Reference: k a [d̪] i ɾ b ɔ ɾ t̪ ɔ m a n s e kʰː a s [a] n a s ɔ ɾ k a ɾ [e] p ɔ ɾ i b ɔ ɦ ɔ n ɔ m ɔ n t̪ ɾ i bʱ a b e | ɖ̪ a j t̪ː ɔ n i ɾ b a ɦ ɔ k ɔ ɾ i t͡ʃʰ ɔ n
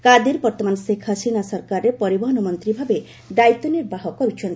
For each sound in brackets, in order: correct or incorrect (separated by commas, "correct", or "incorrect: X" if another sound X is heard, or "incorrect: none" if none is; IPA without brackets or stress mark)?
correct, incorrect: i, correct